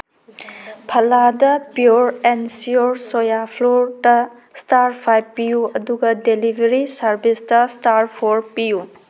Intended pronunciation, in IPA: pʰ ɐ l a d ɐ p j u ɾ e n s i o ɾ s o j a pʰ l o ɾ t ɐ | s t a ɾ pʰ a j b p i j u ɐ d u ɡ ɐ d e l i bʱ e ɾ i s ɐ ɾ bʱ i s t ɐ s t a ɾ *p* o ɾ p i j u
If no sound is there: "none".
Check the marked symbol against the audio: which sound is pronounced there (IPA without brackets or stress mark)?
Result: pʰ